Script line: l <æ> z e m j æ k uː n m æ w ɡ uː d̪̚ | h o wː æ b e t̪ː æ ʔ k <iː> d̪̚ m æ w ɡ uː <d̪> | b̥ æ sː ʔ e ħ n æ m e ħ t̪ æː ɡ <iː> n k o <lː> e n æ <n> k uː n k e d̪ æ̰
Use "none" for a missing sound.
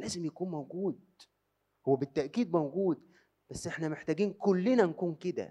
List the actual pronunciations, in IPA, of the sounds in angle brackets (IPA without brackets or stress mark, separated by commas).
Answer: æː, iː, d̪, iː, lː, n